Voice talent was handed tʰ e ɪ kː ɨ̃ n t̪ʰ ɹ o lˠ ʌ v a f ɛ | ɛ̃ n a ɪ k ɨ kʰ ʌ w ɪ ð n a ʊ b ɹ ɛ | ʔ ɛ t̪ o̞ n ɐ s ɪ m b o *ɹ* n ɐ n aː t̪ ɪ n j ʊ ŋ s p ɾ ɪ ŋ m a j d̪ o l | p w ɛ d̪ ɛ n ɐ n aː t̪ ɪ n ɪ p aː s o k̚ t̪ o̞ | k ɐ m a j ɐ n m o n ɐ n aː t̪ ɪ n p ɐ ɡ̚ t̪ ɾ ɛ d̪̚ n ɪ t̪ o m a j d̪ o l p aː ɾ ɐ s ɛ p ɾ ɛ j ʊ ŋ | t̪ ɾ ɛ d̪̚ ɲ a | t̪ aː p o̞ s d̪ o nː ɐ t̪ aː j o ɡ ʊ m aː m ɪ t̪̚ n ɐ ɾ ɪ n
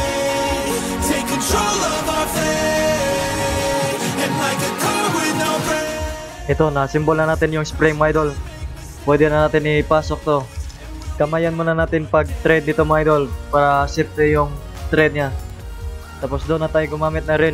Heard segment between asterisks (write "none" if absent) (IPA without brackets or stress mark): l